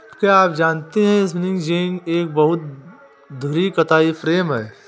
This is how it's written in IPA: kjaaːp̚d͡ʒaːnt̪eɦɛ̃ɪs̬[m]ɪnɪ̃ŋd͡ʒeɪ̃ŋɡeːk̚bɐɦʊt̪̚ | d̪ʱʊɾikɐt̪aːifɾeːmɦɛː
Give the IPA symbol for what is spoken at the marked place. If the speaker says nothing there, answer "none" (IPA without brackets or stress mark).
m